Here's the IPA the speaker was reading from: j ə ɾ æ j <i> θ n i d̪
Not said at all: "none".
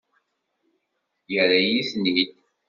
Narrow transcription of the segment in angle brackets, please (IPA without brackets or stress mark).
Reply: i